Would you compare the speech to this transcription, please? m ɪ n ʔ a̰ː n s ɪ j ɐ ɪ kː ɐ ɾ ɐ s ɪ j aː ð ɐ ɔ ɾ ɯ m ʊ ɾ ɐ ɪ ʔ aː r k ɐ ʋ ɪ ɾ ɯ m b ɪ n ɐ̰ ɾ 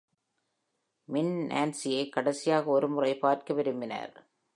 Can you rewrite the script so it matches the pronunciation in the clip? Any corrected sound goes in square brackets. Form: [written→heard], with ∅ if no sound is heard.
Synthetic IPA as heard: m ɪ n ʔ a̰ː n s ɪ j ɐ ɪ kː ɐ [ɾ→ɽ] ɐ s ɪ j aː [ð→ɣ] ɐ ɔ ɾ ɯ m ʊ [ɾ→r] ɐ ɪ [ʔ→p] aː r k ɐ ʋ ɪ ɾ ɯ m b ɪ n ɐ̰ ɾ